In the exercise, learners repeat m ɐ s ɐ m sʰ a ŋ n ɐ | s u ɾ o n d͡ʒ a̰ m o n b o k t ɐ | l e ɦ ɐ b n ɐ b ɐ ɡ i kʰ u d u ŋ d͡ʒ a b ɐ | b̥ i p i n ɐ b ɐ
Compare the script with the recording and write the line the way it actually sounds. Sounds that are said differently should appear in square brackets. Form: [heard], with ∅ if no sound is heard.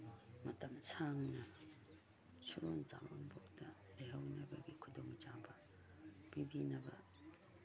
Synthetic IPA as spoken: m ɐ [t] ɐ m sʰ a ŋ n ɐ | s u ɾ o n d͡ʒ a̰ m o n b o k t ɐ | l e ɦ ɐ [w] n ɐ b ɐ ɡ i kʰ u d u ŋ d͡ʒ a b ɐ | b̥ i [b] i n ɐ b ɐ